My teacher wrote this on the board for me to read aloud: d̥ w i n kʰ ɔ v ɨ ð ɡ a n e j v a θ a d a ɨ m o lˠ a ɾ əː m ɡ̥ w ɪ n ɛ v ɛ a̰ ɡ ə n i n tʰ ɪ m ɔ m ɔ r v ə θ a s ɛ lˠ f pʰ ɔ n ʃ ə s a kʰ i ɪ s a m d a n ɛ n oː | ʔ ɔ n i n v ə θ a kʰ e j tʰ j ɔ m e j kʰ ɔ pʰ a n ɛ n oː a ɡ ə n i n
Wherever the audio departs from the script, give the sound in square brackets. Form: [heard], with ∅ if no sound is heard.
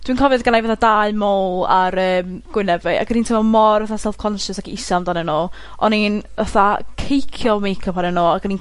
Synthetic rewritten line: d̥ w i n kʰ ɔ v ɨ ð ɡ a n [a] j v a θ a d a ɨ m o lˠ a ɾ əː m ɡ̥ w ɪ n ɛ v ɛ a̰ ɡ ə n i n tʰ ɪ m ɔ m ɔ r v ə θ a s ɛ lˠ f [kʰ] ɔ n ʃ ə s a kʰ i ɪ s a m d a n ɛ n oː | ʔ ɔ n i n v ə θ a kʰ e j [kʰ] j ɔ m e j kʰ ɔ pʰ a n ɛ n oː a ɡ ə n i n